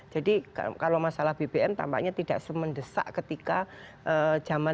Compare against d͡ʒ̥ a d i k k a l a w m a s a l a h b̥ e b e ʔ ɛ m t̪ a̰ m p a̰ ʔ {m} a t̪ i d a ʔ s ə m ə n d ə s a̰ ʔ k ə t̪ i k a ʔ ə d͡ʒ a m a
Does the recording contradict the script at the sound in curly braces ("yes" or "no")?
yes